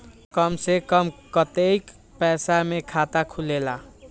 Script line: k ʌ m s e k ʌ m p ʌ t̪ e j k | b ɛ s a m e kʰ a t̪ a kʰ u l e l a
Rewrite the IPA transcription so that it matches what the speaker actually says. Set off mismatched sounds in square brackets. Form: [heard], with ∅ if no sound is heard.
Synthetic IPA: k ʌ m s e k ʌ m [k] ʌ t̪ e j k | [p] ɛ s a m e kʰ a t̪ a kʰ u l e l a

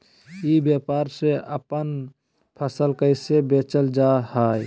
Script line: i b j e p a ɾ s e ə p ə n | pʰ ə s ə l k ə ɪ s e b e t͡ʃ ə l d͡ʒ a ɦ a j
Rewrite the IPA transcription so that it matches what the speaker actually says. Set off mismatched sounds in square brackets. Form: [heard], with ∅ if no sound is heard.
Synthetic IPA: i b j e p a ɾ s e ə p ə n | pʰ ə s ə l k ə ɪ s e b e t͡ʃ ə l d͡ʒ a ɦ a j

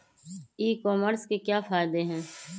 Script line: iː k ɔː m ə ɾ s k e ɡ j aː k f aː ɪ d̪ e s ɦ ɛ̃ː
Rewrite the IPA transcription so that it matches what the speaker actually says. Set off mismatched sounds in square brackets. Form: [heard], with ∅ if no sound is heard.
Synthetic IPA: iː k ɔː m ə ɾ s k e [k] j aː [∅] f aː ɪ d̪ e [∅] ɦ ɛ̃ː

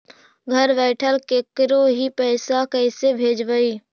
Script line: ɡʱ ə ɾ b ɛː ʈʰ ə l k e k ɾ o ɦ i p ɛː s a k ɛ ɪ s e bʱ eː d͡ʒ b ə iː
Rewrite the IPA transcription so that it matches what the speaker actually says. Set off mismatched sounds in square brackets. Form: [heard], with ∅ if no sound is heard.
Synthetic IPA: ɡʱ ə ɾ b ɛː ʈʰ ə l k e k ɾ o ɦ i p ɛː s a k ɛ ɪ s e bʱ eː d͡ʒ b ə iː

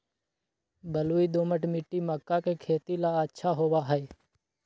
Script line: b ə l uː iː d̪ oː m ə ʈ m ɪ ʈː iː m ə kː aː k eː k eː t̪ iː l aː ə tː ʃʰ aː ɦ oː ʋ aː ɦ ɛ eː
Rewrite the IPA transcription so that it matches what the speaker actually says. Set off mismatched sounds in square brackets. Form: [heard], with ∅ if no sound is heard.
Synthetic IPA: b ə l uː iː d̪ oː m ə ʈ m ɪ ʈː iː m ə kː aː k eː [kʰ] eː t̪ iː l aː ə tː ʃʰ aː ɦ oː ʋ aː ɦ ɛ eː

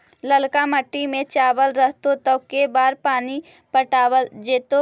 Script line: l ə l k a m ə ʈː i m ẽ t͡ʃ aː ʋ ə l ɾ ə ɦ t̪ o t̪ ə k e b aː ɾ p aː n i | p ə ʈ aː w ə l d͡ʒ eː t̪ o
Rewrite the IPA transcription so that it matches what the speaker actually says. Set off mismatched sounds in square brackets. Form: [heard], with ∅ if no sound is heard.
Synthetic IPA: l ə l k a m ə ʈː i m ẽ t͡ʃ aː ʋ ə l ɾ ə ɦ t̪ o t̪ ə k e b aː ɾ p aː n i | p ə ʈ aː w ə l d͡ʒ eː t̪ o

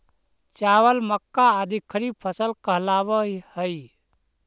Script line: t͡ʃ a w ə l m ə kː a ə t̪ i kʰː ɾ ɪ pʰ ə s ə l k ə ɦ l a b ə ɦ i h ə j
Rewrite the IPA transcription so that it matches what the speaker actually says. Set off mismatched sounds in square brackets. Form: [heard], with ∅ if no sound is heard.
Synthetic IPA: t͡ʃ a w ə l m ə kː a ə [d̪] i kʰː ɾ [i] pʰ ə s ə l k ə ɦ l a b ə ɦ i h ə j

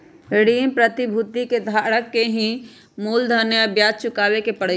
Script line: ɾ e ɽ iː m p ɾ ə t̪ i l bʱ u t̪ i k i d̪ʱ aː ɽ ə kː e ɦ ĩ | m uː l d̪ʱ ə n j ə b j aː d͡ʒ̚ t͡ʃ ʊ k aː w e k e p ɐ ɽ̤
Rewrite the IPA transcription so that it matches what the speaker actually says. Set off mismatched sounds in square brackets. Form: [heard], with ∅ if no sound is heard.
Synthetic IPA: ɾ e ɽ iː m p ɾ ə t̪ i [∅] bʱ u t̪ i k [e] d̪ʱ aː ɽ ə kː e ɦ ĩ | m uː l d̪ʱ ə n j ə b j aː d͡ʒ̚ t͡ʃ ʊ k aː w e k e p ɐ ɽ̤

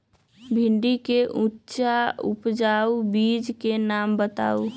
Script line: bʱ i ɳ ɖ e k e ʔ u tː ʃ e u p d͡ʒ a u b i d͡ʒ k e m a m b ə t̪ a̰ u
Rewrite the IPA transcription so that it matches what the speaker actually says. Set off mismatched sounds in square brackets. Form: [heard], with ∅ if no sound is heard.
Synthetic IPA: bʱ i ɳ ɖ [i] k e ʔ u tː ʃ [a] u p d͡ʒ a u b i d͡ʒ k e [n] a m b ə t̪ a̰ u

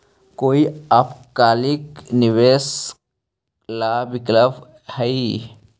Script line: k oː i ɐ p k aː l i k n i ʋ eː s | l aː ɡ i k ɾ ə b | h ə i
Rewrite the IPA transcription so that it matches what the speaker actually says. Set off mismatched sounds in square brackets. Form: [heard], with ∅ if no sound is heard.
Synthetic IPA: k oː i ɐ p k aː l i k n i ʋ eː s | l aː [b] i k [l] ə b | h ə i

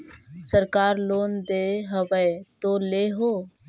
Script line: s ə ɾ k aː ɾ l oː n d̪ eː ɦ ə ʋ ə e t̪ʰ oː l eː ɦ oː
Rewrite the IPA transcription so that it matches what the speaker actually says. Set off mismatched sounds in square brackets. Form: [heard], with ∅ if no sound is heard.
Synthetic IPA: s ə ɾ k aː ɾ l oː n d̪ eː ɦ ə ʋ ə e [t̪] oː l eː ɦ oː

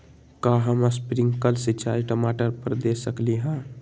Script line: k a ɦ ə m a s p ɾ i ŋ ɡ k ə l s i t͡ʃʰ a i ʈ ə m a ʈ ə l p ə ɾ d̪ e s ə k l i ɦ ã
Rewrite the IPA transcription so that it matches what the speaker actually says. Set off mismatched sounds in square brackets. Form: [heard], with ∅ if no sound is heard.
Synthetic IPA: k a ɦ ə m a s p ɾ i ŋ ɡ k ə l s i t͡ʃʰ a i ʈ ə m a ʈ ə [ɾ] p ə ɾ d̪ e s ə k l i ɦ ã

